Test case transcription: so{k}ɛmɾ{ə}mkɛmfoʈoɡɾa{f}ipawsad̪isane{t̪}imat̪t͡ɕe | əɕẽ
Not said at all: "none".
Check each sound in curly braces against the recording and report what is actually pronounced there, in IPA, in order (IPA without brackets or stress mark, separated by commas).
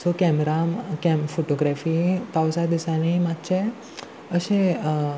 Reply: k, a, f, none